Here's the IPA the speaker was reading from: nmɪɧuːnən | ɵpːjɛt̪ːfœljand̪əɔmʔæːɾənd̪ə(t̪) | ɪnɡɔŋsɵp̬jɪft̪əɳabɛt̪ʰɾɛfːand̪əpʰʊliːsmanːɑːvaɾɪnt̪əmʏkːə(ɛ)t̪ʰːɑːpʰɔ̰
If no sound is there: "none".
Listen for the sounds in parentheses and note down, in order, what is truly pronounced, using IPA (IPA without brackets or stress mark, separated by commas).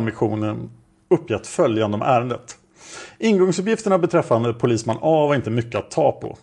t̪, a